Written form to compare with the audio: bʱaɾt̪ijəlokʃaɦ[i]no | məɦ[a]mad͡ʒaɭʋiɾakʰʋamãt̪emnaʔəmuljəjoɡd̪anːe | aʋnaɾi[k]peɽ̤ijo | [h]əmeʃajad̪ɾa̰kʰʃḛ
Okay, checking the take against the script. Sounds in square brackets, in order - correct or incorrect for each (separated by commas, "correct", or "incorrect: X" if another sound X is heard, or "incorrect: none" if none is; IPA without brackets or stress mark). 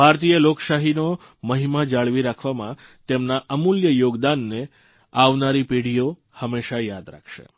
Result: correct, incorrect: i, incorrect: none, correct